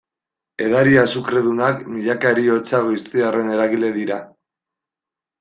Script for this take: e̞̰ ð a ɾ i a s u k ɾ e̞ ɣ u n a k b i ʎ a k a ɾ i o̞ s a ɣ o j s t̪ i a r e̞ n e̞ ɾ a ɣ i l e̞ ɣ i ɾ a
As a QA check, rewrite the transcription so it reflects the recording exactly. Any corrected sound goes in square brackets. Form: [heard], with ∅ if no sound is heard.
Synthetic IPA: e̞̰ ð a ɾ i a s u k ɾ e̞ [ð] u n a k [m] i ʎ a k a ɾ i o̞ [t͡s] a ɣ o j s t̪ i a r e̞ n e̞ ɾ a ɣ i l e̞ [ð] i ɾ a